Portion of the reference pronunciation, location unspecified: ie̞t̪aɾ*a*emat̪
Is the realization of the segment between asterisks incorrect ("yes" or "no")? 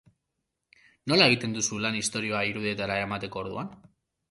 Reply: no